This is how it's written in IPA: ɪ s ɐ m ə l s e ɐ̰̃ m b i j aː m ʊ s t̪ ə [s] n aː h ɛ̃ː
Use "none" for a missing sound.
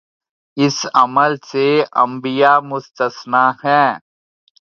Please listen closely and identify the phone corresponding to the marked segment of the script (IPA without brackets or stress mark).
s